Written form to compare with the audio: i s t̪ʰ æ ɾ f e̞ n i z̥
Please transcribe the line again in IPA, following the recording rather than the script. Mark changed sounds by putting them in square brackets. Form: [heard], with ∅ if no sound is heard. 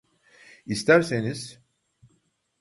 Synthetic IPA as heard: i s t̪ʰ æ ɾ [s] e̞ n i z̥